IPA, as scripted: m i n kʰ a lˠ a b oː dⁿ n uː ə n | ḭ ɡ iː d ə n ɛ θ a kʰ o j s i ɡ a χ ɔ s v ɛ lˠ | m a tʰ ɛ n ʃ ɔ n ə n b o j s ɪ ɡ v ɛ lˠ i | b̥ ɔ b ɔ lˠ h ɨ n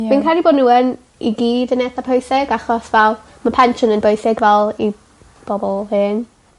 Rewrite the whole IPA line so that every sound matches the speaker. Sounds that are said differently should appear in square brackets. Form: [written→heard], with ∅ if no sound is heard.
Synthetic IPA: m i n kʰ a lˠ [a→i] b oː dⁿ n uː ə n | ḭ ɡ iː d ə n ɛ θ a [kʰ→pʰ] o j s [i→ɪ] ɡ a χ ɔ s v ɛ lˠ | m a [tʰ→pʰ] ɛ n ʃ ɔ n ə n b o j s ɪ ɡ v ɛ lˠ i | b̥ ɔ b ɔ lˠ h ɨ n